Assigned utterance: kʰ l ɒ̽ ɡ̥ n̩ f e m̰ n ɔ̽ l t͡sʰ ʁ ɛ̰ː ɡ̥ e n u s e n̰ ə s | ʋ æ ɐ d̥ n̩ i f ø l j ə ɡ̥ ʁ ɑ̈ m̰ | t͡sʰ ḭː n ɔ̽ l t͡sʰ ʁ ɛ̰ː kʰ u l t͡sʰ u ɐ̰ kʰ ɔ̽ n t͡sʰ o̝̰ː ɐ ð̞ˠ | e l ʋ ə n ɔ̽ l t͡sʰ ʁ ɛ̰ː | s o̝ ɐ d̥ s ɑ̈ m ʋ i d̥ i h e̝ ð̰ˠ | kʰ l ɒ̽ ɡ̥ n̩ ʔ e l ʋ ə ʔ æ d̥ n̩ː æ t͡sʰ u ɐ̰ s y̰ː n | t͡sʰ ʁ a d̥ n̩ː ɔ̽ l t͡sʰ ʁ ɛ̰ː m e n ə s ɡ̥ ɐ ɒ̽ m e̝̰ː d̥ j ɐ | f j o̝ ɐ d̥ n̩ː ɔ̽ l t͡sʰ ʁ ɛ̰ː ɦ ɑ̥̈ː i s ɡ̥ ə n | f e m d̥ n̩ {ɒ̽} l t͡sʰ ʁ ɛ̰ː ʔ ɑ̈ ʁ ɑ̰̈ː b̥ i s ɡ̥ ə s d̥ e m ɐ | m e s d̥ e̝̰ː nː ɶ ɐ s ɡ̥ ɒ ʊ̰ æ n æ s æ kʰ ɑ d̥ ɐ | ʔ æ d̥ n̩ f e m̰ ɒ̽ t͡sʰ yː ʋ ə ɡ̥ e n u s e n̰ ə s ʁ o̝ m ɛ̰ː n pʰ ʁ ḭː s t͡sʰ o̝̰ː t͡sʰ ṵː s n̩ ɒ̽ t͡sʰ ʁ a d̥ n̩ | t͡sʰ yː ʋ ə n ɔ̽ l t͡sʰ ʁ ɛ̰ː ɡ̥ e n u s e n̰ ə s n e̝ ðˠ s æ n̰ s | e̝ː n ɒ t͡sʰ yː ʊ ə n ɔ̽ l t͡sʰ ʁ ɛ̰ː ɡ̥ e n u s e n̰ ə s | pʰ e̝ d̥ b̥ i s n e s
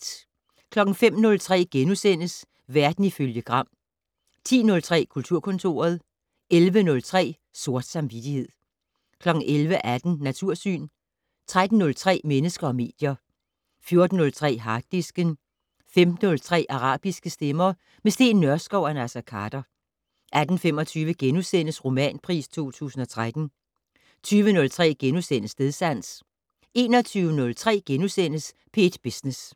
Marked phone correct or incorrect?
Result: incorrect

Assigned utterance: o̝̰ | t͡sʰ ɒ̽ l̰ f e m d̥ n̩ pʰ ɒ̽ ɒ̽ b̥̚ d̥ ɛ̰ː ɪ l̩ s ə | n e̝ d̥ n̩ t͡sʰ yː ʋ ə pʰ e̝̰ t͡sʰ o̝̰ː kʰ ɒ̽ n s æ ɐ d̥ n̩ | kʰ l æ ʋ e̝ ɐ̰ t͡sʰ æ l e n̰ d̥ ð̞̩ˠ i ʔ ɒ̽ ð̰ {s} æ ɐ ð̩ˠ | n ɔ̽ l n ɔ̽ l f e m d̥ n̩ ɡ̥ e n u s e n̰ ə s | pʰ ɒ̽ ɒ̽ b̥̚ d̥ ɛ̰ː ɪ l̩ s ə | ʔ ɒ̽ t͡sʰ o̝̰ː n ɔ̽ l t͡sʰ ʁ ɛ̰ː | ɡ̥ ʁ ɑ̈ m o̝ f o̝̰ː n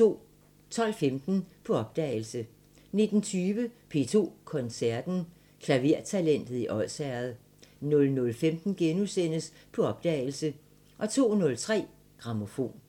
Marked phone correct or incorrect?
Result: correct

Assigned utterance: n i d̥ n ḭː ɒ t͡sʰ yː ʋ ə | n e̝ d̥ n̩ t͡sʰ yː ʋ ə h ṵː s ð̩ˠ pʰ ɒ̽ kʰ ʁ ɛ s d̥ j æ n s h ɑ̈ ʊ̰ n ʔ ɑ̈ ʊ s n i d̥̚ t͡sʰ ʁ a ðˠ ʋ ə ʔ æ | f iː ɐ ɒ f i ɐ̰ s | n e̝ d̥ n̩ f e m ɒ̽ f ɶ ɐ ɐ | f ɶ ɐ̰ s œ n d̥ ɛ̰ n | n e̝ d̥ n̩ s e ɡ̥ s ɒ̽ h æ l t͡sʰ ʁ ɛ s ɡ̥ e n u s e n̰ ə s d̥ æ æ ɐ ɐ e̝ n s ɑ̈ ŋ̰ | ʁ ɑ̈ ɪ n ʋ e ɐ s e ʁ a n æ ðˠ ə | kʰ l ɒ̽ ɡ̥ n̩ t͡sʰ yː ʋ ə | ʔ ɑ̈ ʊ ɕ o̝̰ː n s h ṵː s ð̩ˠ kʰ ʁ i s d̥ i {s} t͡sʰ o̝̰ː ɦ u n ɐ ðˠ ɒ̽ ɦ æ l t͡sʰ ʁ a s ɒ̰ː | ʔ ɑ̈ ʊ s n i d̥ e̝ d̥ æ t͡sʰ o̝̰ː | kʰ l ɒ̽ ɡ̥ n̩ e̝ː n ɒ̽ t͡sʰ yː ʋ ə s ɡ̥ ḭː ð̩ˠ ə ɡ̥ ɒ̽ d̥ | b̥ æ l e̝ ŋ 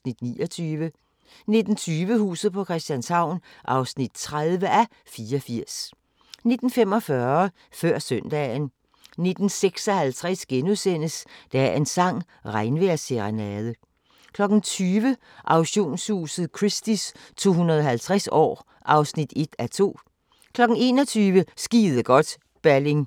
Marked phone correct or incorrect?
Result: correct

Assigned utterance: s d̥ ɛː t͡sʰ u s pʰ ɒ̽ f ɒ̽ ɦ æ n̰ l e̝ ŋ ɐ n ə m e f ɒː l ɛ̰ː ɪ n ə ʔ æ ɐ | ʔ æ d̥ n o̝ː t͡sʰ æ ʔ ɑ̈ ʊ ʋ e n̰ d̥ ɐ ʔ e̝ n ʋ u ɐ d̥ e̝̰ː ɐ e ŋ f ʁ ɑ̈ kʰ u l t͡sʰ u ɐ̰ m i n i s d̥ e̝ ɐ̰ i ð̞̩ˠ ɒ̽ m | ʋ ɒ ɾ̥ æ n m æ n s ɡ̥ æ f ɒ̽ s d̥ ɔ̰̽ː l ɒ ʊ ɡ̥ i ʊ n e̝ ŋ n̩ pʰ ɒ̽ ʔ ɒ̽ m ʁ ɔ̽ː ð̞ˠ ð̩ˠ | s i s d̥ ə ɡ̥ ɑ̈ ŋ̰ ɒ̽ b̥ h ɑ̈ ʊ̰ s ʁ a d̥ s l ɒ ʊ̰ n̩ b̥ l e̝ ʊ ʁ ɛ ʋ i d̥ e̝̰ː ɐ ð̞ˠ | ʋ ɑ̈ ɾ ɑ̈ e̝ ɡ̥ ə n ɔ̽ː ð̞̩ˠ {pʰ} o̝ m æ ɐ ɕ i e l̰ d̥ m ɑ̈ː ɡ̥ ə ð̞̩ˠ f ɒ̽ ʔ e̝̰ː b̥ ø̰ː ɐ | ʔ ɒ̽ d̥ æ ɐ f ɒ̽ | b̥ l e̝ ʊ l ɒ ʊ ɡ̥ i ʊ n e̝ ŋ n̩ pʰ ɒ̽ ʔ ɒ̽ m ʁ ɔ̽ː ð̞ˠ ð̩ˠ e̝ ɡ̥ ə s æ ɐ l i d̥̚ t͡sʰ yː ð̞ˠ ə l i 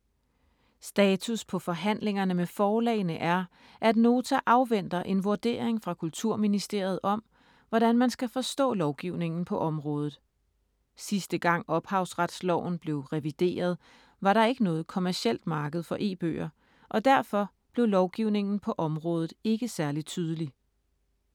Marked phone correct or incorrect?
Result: incorrect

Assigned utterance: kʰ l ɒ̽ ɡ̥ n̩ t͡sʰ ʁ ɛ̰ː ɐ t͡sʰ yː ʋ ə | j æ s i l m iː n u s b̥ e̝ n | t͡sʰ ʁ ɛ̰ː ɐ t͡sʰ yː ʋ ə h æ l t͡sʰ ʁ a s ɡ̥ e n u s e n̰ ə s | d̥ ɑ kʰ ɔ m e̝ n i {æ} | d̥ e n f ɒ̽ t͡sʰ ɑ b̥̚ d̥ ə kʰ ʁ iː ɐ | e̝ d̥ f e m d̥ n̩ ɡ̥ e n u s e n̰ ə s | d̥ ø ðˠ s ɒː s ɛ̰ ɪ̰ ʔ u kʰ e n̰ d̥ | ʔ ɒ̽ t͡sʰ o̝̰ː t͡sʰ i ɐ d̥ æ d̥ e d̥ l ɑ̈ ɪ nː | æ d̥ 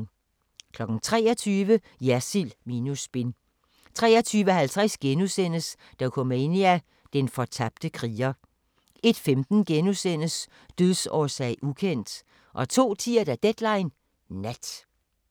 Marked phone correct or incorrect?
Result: correct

